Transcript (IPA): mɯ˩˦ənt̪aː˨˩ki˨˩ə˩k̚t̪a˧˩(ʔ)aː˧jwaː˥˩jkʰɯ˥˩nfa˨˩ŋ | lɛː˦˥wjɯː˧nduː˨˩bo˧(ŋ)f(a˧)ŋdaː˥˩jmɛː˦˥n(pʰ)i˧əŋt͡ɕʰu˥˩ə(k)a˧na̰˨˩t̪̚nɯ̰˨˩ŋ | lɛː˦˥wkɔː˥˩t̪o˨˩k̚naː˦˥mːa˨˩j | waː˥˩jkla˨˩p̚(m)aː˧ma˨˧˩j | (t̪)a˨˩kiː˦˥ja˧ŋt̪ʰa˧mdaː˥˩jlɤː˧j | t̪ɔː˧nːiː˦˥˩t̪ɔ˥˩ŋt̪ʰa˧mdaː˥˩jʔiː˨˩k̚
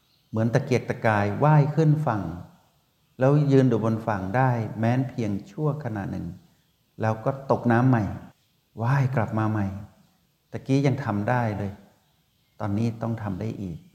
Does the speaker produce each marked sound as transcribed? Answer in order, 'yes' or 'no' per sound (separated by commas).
no, no, no, yes, no, yes, yes